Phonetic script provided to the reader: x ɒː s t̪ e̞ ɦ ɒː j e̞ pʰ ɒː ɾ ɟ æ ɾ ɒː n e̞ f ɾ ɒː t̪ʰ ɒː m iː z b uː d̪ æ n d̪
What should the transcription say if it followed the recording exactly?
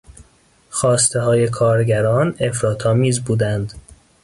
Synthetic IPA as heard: x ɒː s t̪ e̞ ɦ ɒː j e̞ kʰ ɒː ɾ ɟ æ ɾ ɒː n e̞ f ɾ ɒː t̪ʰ ɒː m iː z b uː d̪ æ n d̪